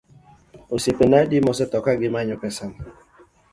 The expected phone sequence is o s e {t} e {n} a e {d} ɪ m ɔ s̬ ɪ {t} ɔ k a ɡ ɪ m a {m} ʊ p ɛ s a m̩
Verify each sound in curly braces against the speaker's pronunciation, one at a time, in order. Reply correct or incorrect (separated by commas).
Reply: incorrect, correct, correct, correct, incorrect